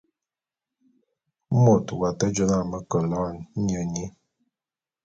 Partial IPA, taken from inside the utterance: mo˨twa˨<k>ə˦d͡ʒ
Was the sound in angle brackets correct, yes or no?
no